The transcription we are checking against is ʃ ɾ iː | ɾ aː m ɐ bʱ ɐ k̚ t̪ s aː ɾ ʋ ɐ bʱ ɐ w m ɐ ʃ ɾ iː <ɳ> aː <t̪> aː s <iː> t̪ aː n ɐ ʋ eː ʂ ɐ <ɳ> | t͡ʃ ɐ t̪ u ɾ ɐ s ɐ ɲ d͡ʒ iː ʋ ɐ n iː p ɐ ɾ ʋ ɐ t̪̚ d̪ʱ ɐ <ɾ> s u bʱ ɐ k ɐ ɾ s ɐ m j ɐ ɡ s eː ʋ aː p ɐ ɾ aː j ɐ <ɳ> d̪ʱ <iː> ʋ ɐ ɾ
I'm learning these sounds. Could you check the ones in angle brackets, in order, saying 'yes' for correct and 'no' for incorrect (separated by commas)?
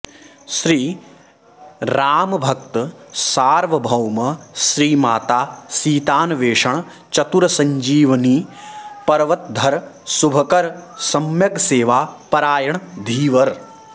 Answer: no, yes, yes, yes, yes, yes, yes